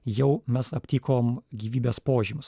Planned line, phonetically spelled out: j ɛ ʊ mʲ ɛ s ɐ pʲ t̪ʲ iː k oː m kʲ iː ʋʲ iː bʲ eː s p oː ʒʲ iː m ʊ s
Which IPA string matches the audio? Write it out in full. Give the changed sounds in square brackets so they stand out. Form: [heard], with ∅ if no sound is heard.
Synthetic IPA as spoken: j ɛ ʊ mʲ ɛ s ɐ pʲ t̪ʲ iː k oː m [ɡʲ] iː ʋʲ iː bʲ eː s p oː ʒʲ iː m ʊ s